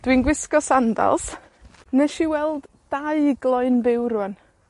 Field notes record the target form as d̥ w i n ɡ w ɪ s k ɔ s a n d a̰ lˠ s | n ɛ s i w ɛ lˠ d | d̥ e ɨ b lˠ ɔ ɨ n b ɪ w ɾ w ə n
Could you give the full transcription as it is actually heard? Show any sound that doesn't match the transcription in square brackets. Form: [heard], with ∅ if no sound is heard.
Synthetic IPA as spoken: d̥ w i n ɡ w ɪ s k ɔ s a n d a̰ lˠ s | n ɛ [ʃ] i w ɛ lˠ d | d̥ [a] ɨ [ɡ] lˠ ɔ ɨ n b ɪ w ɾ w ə n